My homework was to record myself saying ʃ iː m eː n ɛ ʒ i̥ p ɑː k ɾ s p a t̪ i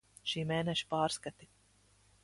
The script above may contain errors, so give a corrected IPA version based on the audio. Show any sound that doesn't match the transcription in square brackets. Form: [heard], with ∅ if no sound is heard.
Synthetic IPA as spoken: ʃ iː m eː n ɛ [ʃ] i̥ p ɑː [∅] ɾ s [k] a t̪ i